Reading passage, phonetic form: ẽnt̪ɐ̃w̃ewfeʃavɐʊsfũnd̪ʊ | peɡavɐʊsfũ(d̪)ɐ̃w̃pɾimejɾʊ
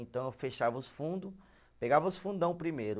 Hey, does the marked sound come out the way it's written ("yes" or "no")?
yes